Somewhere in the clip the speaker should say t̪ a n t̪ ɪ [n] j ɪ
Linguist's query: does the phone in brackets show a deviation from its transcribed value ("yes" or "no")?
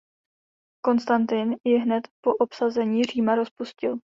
no